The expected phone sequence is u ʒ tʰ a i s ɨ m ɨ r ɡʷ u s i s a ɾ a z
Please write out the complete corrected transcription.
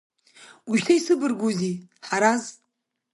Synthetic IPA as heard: u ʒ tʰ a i s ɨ b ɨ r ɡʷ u z i ħ a ɾ a z